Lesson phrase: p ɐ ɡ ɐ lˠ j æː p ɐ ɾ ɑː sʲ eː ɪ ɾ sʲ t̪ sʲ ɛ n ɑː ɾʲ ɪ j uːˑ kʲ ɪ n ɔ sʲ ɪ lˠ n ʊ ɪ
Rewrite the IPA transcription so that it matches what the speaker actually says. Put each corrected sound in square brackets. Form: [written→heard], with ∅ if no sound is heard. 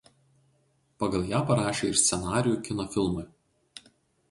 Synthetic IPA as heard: p ɐ ɡ ɐ lˠ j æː p ɐ ɾ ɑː [sʲ→ʃʲ] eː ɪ ɾ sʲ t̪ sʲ ɛ n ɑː ɾʲ ɪ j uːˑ kʲ ɪ n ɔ [sʲ→fʲ] ɪ lˠ [n→m] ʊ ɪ

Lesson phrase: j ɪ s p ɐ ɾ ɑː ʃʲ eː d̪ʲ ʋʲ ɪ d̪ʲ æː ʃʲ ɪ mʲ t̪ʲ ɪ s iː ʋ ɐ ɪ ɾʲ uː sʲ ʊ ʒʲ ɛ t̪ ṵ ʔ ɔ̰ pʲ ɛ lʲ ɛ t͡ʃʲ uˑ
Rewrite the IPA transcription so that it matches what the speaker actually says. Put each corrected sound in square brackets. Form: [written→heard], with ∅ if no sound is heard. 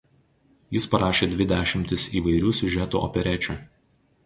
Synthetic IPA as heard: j ɪ s p ɐ ɾ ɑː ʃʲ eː d̪ʲ ʋʲ ɪ d̪ʲ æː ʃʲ ɪ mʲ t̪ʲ ɪ s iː ʋ ɐ ɪ ɾʲ uː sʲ ʊ ʒʲ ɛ t̪ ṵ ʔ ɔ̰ pʲ ɛ [lʲ→ɾʲ] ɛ t͡ʃʲ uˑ

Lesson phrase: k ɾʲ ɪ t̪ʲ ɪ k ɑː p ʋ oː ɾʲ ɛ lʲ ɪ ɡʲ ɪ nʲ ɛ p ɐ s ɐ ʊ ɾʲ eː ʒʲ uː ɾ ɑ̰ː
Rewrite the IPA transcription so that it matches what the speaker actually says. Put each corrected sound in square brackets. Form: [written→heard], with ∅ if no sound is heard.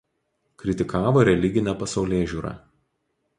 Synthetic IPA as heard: k ɾʲ ɪ t̪ʲ ɪ k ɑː [p→∅] ʋ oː ɾʲ ɛ lʲ ɪ ɡʲ ɪ nʲ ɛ p ɐ s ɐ ʊ [ɾʲ→lʲ] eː ʒʲ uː ɾ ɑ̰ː

